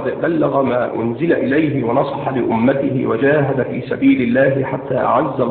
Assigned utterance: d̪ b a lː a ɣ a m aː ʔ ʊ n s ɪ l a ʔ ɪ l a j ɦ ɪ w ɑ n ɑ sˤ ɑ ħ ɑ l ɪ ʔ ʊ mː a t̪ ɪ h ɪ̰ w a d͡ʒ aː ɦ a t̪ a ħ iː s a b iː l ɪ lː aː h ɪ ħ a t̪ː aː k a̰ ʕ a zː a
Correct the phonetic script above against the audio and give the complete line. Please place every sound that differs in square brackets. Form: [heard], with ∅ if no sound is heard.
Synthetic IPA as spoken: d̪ b a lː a ɣ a m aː ʔ ʊ n [z] ɪ l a ʔ ɪ l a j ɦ ɪ w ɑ n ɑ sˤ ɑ ħ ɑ l ɪ ʔ ʊ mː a t̪ ɪ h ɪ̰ w a d͡ʒ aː ɦ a [d̪] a [f] iː s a b iː l ɪ lː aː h ɪ ħ a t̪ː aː [ʔ] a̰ ʕ a zː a